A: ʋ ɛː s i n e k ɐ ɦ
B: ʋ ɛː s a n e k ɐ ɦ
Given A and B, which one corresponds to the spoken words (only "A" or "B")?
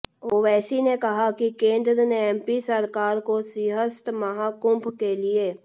A